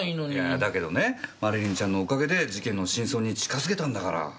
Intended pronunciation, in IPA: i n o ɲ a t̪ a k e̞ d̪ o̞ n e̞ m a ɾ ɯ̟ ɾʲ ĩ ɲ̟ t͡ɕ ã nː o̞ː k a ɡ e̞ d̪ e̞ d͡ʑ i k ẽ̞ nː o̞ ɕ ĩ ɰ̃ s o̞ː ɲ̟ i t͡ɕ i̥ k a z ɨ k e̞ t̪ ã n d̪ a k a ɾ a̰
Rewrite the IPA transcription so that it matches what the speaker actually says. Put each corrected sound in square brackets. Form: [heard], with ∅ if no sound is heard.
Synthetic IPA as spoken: i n o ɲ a [d̪] a k e̞ d̪ o̞ n e̞ m a ɾ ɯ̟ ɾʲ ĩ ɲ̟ t͡ɕ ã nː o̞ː k a ɡ e̞ d̪ e̞ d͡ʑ i k ẽ̞ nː o̞ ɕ ĩ ɰ̃ s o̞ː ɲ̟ i t͡ɕ i̥ k a z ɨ k e̞ t̪ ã n d̪ a k a ɾ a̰